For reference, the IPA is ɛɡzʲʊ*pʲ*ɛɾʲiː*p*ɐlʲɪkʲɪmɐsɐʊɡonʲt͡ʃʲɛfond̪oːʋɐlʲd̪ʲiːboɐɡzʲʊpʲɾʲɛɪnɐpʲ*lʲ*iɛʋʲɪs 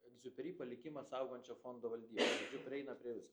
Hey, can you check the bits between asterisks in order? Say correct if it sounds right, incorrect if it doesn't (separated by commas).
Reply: correct, correct, incorrect